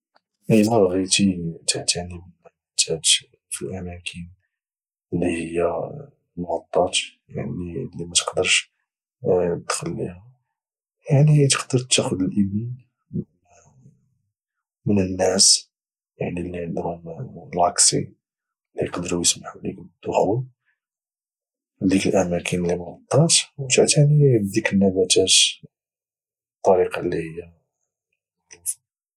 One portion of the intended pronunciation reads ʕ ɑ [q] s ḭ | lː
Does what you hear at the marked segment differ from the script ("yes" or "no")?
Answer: yes